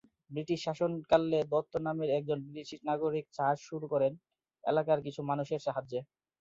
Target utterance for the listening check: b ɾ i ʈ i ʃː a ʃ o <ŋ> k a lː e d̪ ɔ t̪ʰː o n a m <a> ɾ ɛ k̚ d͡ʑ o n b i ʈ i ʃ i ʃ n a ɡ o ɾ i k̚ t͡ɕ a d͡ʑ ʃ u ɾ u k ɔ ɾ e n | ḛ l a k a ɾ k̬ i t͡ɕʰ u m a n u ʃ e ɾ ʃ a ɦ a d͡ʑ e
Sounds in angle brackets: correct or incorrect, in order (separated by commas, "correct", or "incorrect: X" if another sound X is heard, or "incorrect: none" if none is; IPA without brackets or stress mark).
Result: incorrect: n, incorrect: e